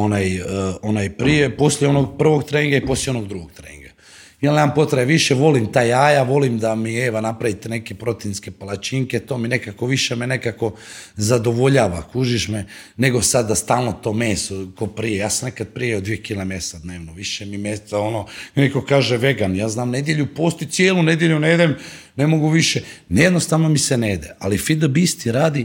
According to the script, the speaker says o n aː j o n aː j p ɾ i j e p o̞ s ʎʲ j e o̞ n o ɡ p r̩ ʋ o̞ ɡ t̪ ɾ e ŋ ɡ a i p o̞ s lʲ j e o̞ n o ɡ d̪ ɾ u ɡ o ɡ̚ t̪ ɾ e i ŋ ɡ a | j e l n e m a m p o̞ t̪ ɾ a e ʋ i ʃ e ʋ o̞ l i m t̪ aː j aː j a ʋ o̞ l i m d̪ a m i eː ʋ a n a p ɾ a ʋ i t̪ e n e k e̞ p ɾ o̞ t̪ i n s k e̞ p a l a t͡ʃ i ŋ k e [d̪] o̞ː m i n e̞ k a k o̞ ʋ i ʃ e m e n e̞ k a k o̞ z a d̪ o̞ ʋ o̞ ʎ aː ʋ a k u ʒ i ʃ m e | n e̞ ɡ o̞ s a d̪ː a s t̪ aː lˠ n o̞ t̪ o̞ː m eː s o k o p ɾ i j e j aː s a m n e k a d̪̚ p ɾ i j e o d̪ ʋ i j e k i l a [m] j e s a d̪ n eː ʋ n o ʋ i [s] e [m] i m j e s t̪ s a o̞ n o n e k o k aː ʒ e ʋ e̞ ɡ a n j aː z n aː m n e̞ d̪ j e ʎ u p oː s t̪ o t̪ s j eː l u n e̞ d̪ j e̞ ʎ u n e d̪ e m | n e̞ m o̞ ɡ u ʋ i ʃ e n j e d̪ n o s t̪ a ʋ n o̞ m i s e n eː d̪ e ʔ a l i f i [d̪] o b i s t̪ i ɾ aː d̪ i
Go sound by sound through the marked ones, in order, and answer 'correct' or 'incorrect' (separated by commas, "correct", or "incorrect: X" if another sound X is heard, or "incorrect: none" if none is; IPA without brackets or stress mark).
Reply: incorrect: t̪, correct, incorrect: ʃ, correct, correct